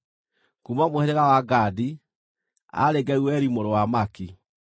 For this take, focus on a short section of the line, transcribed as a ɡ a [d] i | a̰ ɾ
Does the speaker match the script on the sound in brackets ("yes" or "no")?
yes